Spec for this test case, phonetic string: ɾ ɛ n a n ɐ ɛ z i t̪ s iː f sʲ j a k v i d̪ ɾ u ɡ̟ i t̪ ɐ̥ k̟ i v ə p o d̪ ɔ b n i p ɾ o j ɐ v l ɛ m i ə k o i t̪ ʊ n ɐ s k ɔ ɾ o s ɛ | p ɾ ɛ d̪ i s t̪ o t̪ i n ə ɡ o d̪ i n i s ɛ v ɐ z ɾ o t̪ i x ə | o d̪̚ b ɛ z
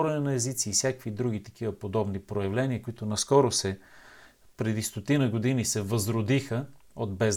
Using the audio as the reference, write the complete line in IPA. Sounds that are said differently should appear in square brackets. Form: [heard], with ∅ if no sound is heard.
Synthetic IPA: ɾ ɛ n [ɛ] n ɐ ɛ z i t̪ s iː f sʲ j a k v i d̪ ɾ u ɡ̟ i t̪ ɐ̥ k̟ i v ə p o d̪ ɔ b n i p ɾ o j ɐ v l ɛ [n] i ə k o i t̪ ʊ n ɐ s k ɔ ɾ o s ɛ | p ɾ ɛ d̪ i s t̪ o t̪ i n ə ɡ o d̪ i n i s ɛ v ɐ z ɾ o [d̪] i x ə | o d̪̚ b ɛ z